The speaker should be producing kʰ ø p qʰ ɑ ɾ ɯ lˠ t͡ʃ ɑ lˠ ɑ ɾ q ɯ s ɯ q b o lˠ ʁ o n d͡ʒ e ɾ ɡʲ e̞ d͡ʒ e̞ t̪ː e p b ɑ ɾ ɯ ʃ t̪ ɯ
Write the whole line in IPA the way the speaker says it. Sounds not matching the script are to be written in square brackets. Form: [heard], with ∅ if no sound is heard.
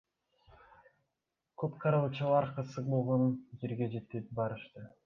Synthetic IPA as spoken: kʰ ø p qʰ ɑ ɾ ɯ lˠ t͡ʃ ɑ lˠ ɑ ɾ q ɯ s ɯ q b o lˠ ʁ o n d͡ʒ e ɾ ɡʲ e̞ d͡ʒ e̞ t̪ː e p b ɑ ɾ ɯ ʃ t̪ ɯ